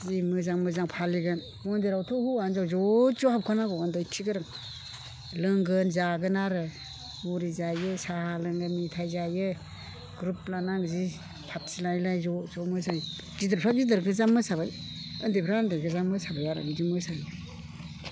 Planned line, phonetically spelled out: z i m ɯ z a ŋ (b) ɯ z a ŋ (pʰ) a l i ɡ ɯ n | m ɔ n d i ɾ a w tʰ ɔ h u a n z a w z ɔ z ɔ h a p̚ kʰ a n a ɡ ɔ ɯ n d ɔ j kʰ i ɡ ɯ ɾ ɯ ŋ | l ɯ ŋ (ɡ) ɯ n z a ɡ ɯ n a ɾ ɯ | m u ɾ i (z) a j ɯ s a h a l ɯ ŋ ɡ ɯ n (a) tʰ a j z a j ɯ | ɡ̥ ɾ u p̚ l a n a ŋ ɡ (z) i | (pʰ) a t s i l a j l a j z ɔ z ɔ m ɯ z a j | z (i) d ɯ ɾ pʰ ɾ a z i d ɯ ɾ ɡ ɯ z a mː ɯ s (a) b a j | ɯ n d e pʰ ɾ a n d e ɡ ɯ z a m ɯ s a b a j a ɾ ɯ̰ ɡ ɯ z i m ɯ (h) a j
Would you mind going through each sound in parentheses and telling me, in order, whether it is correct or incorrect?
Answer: incorrect: m, correct, correct, correct, incorrect: i, correct, correct, correct, correct, incorrect: s

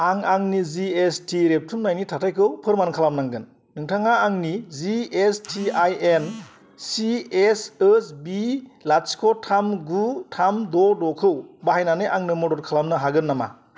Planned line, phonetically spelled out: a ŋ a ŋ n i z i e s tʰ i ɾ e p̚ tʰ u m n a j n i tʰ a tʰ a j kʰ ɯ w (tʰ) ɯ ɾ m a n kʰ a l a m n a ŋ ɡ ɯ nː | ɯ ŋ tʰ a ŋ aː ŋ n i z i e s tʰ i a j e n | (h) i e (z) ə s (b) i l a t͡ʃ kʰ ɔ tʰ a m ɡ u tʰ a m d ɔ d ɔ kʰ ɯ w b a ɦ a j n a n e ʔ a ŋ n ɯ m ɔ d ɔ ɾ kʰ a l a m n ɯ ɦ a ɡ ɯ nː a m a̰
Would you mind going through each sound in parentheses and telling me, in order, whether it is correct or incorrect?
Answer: incorrect: pʰ, incorrect: s, incorrect: s, correct

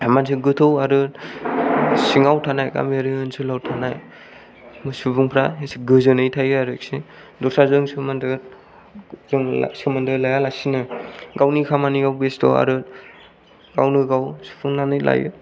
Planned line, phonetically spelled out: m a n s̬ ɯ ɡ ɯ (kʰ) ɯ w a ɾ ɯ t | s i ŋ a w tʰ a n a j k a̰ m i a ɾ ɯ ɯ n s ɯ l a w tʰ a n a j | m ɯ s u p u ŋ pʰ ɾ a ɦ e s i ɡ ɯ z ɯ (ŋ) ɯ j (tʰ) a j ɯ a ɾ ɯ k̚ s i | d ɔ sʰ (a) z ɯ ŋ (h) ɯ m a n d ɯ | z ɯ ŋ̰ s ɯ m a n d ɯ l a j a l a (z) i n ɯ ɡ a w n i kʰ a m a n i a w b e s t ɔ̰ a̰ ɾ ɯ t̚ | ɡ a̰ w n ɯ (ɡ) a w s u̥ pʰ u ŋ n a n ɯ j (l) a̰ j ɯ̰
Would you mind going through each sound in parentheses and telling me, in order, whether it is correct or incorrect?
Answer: incorrect: tʰ, incorrect: n, correct, correct, incorrect: s, incorrect: s, correct, correct

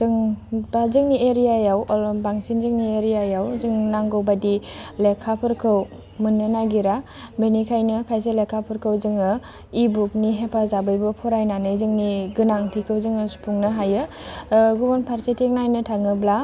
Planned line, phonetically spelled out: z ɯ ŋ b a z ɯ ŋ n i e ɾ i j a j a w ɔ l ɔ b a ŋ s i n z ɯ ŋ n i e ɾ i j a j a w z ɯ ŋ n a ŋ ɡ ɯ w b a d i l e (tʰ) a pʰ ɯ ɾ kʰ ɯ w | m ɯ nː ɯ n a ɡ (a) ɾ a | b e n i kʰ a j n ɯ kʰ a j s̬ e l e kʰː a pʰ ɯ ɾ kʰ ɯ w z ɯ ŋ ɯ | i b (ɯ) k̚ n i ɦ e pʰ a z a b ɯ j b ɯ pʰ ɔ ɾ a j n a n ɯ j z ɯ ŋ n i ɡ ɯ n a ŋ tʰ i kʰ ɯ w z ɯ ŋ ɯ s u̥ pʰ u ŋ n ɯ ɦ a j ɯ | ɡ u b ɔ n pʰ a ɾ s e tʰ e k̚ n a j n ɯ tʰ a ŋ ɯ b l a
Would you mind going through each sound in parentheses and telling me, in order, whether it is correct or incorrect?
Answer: incorrect: kʰ, incorrect: i, incorrect: u

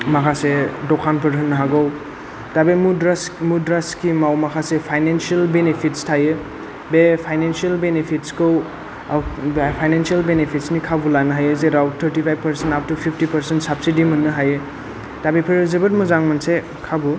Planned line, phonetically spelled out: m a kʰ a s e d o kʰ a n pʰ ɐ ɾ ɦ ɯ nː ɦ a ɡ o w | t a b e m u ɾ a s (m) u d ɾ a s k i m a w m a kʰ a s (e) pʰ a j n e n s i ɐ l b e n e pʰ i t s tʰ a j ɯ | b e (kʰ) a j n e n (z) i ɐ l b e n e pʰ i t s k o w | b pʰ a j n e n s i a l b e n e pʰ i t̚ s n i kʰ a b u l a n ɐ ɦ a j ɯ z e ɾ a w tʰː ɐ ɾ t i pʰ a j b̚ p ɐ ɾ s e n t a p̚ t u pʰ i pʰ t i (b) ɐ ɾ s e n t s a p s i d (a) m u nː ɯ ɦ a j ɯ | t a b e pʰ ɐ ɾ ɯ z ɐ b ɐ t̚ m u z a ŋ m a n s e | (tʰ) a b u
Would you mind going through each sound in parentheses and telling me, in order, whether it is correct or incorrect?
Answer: correct, correct, incorrect: pʰ, incorrect: s, incorrect: p, incorrect: i, incorrect: kʰ

